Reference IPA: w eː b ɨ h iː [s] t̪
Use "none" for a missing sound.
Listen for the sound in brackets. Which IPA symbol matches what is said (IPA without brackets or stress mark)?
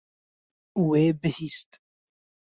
s